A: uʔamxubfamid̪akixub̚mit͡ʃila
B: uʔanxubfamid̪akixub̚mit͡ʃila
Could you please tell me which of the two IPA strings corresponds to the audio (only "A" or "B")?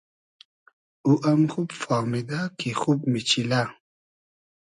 A